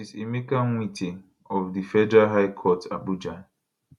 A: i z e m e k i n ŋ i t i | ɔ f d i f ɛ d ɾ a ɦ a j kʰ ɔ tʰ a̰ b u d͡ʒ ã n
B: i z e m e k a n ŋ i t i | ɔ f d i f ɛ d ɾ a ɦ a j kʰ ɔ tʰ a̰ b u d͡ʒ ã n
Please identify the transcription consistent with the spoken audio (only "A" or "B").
B